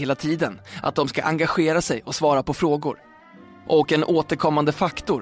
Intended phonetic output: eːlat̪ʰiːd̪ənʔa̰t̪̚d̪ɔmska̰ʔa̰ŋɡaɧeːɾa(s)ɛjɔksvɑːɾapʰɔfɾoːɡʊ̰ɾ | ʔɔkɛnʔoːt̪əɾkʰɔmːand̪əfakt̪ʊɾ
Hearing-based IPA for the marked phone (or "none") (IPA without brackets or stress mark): s